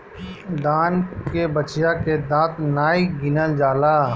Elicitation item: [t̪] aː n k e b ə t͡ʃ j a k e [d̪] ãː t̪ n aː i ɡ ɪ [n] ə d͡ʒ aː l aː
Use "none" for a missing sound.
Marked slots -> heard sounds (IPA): d̪, d̪, n

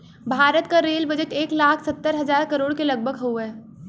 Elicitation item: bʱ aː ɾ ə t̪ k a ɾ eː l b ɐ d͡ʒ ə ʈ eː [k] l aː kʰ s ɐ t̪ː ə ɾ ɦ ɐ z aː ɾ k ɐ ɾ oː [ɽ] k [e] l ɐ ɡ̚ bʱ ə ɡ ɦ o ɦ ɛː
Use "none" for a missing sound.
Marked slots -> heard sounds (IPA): k, ɽ, e

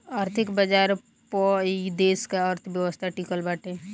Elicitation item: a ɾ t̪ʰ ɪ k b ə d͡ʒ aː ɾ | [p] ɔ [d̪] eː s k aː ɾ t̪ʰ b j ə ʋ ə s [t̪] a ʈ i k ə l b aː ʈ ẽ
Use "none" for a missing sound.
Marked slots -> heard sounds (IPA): p, d̪, t̪ʰ

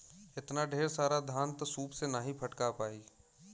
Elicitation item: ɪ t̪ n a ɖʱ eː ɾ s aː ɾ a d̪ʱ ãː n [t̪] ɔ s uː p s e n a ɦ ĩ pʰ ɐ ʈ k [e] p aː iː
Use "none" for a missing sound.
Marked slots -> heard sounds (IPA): t̪, a

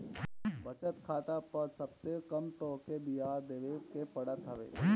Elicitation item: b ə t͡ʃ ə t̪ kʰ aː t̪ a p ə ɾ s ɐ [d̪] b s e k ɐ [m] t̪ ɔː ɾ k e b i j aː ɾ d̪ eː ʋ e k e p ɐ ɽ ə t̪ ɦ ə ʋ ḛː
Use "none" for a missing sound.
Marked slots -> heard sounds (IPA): none, m

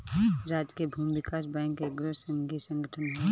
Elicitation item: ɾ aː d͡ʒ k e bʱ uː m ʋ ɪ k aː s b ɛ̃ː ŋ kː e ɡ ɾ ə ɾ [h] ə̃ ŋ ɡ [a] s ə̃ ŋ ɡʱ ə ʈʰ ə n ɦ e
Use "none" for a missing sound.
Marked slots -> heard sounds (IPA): s, i

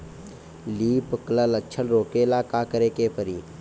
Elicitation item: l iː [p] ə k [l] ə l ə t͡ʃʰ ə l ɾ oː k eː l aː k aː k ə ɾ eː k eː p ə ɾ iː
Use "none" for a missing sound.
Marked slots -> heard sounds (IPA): p, l

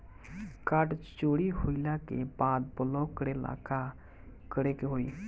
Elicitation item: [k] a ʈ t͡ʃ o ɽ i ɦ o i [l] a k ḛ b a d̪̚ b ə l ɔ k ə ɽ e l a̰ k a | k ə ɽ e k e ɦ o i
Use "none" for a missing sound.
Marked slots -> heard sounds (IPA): k, l

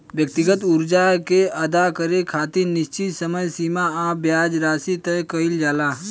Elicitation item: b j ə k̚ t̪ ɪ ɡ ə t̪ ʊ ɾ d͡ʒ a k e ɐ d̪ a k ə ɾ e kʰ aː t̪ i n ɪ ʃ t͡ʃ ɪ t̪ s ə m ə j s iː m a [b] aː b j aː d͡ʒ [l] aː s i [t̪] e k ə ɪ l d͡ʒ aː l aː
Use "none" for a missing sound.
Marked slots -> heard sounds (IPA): none, ɾ, t̪

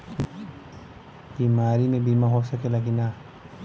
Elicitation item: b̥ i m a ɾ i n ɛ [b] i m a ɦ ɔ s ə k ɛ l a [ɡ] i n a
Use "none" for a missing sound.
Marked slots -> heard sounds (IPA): b, ɡ

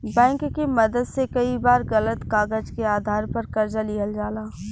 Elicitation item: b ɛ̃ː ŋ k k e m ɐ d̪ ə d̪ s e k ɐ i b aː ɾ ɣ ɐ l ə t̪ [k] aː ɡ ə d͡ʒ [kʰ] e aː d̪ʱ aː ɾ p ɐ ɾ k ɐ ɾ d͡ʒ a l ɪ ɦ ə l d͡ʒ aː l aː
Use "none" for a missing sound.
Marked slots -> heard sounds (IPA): k, k

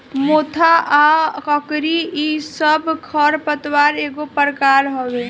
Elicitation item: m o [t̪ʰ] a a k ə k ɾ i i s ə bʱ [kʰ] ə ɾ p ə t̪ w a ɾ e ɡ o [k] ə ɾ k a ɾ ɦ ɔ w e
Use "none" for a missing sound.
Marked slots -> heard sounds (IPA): t̪ʰ, kʰ, p

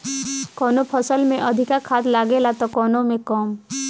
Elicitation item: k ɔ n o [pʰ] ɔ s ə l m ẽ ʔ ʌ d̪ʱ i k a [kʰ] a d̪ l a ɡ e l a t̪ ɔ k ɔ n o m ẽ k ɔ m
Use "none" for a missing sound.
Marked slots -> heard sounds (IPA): pʰ, kʰ

